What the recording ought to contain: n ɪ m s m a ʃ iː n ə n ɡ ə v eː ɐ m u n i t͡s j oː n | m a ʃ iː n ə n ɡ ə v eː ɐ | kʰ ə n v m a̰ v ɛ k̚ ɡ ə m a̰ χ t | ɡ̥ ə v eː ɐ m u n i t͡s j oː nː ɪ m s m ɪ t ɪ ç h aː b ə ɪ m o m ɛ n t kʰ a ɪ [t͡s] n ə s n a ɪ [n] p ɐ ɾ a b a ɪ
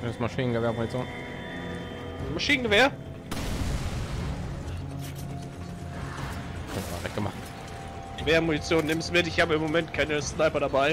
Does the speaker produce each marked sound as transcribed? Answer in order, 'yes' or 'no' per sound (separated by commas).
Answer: no, no